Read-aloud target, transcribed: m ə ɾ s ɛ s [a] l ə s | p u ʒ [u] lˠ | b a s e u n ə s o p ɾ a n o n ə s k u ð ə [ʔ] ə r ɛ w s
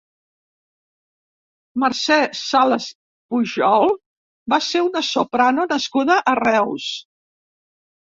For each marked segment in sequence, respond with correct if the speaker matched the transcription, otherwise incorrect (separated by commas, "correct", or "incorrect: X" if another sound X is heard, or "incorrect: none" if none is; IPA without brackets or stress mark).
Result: correct, incorrect: ɔ, correct